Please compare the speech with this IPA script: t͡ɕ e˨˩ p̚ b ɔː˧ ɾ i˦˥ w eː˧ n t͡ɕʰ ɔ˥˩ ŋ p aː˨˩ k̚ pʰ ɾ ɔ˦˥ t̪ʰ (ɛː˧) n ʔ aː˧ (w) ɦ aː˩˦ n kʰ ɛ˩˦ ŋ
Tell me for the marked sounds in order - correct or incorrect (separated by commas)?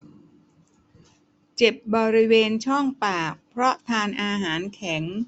incorrect, incorrect